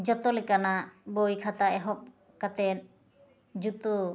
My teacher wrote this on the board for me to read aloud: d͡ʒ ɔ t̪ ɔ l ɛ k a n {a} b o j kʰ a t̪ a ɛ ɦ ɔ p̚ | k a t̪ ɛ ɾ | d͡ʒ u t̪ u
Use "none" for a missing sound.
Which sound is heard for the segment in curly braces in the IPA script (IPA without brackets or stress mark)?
a